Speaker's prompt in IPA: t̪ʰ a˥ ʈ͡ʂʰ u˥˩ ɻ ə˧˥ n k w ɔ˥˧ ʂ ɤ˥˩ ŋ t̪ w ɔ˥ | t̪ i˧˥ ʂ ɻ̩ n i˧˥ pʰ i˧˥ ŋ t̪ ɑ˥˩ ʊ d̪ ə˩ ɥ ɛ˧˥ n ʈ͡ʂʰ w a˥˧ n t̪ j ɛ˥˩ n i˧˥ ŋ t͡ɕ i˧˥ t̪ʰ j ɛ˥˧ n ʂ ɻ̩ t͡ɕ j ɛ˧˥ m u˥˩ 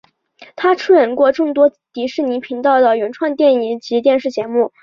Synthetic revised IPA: t̪ʰ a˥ ʈ͡ʂʰ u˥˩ ɻ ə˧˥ n k w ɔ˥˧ ʈ͡ʂ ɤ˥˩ ŋ t̪ w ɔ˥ | t̪ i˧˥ ʂ ɻ̩ n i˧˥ pʰ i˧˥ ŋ t̪ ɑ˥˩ ʊ d̪ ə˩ ɥ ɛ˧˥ n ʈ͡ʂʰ w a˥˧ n t̪ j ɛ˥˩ n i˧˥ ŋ t͡ɕ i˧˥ t̪ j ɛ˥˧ n ʂ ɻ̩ t͡ɕ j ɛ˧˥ m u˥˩